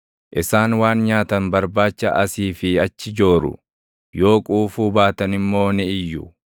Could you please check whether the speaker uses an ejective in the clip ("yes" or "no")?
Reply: yes